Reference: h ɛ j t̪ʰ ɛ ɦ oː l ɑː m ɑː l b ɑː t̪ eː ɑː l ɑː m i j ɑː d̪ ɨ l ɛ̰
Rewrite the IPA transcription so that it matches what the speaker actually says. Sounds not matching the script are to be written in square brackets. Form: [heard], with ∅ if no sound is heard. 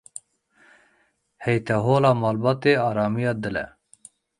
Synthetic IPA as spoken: h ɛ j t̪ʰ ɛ ɦ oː l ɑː m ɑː l b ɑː t̪ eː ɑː [ɾ] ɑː m i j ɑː d̪ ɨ l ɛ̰